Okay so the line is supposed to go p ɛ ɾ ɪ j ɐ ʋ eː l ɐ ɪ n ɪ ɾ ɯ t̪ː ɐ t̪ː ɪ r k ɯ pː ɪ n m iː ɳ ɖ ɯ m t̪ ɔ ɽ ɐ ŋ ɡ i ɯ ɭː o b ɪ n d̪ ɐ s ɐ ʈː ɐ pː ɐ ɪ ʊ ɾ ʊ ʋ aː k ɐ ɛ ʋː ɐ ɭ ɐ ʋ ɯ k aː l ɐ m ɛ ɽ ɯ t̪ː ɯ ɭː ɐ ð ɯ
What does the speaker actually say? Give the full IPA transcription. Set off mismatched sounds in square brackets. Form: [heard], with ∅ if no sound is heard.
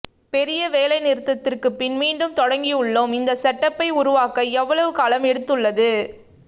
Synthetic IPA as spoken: p ɛ ɾ ɪ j ɐ ʋ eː l ɐ ɪ n ɪ ɾ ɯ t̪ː ɐ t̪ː ɪ r k ɯ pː ɪ n m iː ɳ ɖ ɯ m t̪ ɔ ɽ ɐ ŋ ɡ i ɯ ɭː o [m] ɪ n d̪ ɐ s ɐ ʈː ɐ pː ɐ ɪ ʊ ɾ ʊ ʋ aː k ɐ ɛ ʋː ɐ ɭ ɐ ʋ ɯ k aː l ɐ m ɛ ɽ ɯ t̪ː ɯ ɭː ɐ ð ɯ